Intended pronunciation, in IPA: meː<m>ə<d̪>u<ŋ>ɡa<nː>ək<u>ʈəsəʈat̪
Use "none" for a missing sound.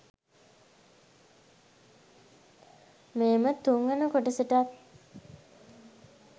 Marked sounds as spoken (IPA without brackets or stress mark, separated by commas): m, t̪, ŋ, n, o